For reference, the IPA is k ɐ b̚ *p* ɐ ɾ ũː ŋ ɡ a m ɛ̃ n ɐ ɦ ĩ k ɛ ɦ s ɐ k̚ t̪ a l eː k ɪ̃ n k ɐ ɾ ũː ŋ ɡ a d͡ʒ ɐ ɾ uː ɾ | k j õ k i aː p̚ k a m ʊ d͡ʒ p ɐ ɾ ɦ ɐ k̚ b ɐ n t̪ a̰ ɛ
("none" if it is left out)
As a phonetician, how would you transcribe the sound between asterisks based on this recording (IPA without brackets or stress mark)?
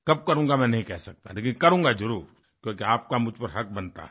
k